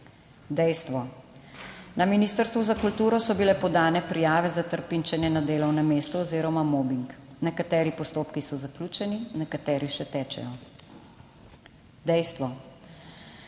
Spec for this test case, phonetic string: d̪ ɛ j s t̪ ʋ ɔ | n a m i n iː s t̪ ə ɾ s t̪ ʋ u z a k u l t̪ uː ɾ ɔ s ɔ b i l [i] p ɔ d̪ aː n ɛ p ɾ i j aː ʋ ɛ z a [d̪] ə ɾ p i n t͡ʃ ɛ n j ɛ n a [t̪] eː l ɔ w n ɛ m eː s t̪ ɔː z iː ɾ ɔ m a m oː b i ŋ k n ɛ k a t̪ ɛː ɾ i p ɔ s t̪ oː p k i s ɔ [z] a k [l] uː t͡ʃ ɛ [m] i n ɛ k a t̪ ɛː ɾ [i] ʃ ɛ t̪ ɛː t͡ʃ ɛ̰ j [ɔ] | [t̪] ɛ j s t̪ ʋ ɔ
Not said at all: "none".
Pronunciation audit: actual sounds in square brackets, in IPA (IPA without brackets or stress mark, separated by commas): ɛ, t̪, d̪, z, l, n, i, ɔ, d̪